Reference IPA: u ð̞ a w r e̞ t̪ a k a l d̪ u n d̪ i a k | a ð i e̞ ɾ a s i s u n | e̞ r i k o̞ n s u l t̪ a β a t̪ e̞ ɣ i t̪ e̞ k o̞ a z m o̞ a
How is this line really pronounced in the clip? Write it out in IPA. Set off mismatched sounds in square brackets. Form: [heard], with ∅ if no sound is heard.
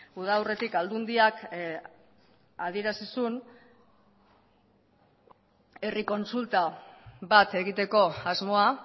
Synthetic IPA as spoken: u ð̞ a w r e̞ t̪ [i] k a l d̪ u n d̪ i a k | a ð i e̞ ɾ a s i s u n | e̞ r i k o̞ n s u l t̪ a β a t̪ e̞ ɣ i t̪ e̞ k o̞ a z m o̞ a